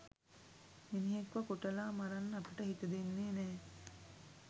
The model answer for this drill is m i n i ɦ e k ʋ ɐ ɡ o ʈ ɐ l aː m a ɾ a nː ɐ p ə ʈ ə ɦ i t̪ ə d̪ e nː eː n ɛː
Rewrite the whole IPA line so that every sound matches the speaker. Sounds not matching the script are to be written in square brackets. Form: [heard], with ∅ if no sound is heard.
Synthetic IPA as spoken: m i n i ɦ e k ʋ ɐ [k] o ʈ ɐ l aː m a ɾ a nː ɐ p ə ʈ ə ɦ i t̪ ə d̪ e nː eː n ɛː